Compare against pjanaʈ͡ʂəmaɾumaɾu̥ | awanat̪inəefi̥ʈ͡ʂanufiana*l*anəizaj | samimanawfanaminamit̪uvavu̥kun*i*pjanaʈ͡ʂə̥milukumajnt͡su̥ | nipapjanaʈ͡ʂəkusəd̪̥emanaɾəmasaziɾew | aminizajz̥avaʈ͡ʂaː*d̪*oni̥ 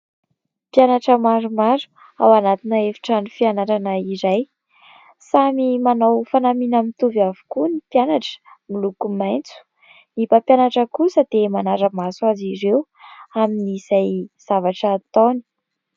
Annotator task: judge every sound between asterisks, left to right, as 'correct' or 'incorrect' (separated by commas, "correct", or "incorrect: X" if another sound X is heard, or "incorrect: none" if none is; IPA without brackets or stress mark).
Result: incorrect: ɾ, correct, incorrect: t̪